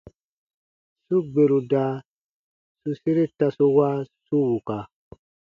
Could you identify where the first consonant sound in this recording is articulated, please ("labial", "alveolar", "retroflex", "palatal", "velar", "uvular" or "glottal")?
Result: alveolar